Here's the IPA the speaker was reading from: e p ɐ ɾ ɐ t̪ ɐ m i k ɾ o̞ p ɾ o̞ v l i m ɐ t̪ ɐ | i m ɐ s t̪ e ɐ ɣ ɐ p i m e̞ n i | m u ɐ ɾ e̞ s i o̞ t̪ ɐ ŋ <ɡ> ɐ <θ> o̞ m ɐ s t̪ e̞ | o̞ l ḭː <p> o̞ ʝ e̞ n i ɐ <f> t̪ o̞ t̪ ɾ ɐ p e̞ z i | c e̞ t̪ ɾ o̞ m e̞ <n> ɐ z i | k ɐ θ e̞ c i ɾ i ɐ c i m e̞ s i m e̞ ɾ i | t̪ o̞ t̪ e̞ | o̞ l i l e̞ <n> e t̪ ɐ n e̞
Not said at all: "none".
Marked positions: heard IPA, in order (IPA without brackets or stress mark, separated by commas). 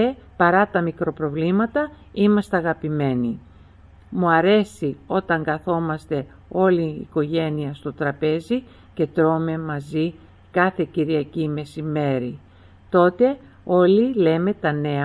ɡ, θ, k, s, m, m